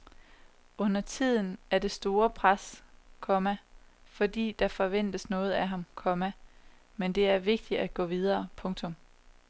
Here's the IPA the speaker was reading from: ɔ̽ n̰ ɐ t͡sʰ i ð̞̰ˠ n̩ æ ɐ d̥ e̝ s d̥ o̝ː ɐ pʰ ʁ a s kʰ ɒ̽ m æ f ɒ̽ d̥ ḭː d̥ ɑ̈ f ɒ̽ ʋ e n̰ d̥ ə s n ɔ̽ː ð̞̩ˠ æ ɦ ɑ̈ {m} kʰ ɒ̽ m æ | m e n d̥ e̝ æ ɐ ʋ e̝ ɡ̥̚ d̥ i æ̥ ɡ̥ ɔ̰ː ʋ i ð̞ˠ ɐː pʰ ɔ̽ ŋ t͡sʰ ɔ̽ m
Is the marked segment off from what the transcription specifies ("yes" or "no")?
no